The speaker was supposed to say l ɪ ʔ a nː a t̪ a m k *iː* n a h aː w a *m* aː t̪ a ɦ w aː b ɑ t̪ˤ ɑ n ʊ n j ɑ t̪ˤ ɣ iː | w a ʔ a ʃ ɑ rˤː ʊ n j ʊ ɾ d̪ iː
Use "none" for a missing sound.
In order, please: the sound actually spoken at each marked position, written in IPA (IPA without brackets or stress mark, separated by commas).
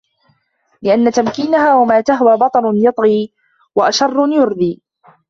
iː, m